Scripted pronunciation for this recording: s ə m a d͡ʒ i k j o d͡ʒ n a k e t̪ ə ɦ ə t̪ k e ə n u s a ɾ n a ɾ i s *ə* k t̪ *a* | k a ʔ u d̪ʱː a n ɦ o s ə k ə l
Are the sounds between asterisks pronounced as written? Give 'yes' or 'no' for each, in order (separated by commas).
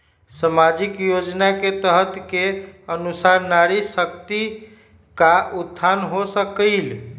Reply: yes, no